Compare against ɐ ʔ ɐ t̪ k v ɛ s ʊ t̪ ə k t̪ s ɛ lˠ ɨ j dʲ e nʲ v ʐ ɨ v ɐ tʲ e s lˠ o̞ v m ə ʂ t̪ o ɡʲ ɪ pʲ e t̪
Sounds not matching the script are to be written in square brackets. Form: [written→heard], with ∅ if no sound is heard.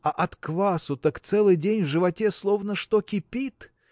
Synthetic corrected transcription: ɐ ʔ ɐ t̪ k v [ɛ→a] s ʊ t̪ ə k t̪ s ɛ lˠ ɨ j dʲ e nʲ v ʐ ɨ v ɐ tʲ e s lˠ o̞ v [m→n] ə ʂ t̪ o [ɡʲ→kʲ] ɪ pʲ [e→i] t̪